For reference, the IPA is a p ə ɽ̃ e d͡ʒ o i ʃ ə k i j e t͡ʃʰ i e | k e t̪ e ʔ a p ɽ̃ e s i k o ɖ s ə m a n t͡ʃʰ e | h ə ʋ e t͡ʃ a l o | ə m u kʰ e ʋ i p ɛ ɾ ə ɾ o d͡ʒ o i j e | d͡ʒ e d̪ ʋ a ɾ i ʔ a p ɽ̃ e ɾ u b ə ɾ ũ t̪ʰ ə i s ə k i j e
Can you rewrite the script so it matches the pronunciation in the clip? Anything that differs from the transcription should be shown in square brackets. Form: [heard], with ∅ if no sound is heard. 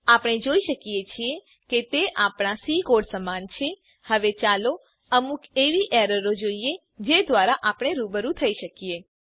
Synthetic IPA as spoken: a p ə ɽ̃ e d͡ʒ o i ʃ ə k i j e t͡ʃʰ i e | k e t̪ e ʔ a p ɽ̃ [a] s i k o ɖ s ə m a n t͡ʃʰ e | h ə ʋ e t͡ʃ a l o | ə m u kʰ e ʋ i [ʔ] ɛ ɾ ə ɾ o d͡ʒ o i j e | d͡ʒ e d̪ ʋ a ɾ [a] ʔ a p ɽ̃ e ɾ u b ə ɾ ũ t̪ʰ ə i [ʃ] ə k i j e